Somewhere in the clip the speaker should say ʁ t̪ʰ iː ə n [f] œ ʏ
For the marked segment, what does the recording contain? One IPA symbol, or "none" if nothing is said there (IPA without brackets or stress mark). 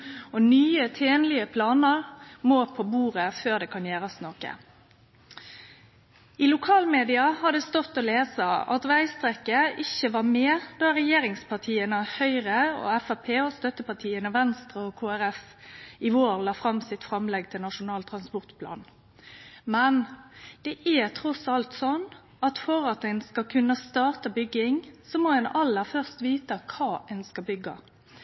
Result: h